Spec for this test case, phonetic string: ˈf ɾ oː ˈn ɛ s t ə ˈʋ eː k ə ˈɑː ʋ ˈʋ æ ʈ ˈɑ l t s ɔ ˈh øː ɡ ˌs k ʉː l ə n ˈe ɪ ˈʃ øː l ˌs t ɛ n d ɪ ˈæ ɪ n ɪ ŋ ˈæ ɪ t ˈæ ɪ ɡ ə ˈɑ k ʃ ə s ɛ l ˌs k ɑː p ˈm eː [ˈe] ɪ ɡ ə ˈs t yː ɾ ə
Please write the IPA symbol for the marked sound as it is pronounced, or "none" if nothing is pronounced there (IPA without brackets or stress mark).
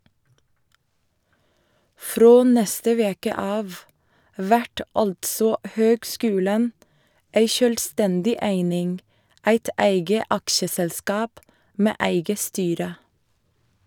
æ